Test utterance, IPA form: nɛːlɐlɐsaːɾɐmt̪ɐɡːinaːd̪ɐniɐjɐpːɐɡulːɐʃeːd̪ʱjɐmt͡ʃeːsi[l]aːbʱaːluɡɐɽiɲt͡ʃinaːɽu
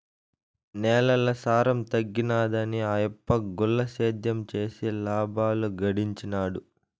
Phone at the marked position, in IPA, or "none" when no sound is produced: l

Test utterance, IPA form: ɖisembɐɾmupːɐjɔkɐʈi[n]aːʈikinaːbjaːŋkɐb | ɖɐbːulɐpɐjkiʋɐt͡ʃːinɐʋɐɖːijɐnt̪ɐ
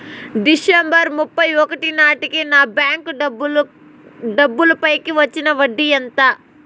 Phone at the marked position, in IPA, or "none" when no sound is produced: n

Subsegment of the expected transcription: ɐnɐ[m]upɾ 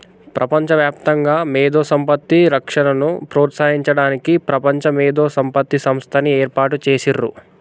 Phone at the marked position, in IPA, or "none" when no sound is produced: n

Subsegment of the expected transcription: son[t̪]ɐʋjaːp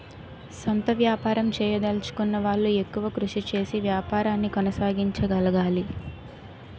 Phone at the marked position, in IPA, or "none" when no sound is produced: t̪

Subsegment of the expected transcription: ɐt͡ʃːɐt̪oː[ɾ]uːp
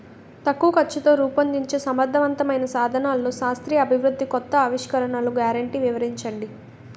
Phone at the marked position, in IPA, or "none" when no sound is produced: ɾ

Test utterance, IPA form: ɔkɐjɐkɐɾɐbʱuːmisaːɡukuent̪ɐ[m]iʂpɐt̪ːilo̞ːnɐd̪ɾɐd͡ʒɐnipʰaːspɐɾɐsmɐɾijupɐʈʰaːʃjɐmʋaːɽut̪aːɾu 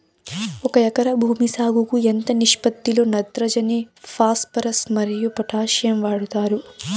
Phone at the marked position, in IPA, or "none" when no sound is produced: n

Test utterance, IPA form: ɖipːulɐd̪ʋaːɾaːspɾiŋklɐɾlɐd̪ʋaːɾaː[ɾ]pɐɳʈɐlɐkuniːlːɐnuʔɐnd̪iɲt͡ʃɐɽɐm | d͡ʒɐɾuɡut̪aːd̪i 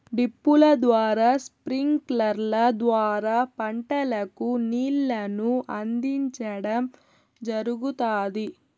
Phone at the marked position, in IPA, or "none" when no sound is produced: none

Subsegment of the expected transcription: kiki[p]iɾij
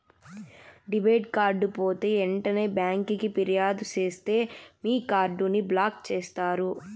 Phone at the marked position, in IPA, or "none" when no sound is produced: p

